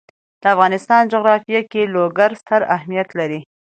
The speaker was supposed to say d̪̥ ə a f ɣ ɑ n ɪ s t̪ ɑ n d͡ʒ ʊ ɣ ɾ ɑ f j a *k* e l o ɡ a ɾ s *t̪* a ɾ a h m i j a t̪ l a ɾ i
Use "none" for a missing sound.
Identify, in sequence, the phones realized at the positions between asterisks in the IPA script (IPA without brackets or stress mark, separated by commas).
k, t̪